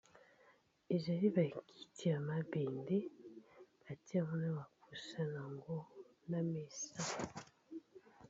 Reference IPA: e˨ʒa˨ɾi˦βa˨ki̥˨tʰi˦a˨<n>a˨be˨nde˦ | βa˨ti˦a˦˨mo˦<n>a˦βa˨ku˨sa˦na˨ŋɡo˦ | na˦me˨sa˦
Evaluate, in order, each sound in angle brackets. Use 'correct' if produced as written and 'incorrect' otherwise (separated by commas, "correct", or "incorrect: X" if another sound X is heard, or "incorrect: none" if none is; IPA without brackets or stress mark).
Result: incorrect: m, correct